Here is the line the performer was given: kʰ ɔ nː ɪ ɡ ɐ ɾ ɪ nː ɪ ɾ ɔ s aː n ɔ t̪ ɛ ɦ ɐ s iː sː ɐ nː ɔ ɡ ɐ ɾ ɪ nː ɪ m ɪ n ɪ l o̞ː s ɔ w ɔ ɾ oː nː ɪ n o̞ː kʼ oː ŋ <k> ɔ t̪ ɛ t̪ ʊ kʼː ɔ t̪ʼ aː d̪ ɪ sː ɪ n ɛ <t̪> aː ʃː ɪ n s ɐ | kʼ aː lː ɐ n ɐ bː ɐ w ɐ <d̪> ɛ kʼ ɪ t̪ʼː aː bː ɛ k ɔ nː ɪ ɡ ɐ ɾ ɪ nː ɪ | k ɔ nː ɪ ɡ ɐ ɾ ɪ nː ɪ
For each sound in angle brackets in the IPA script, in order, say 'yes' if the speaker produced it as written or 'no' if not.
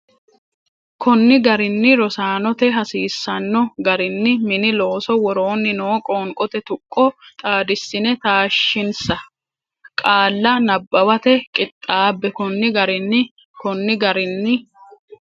no, yes, no

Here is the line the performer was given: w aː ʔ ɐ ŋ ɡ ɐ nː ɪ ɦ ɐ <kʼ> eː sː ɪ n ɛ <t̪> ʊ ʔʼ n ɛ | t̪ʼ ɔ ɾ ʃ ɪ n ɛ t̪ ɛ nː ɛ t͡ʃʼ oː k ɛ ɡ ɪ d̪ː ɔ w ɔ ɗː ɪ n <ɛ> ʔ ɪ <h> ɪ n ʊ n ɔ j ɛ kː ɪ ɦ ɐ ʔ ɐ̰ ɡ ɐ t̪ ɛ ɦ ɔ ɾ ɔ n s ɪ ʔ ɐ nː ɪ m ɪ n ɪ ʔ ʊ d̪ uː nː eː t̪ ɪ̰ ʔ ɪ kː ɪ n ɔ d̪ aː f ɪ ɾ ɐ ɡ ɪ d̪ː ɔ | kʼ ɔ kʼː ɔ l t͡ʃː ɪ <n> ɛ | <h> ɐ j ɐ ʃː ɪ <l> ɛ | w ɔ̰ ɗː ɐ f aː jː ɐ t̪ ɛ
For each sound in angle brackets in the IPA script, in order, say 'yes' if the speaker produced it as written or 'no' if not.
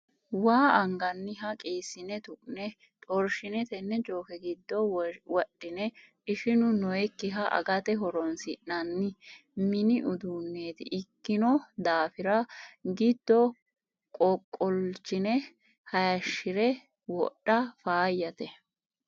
yes, yes, yes, no, yes, yes, no

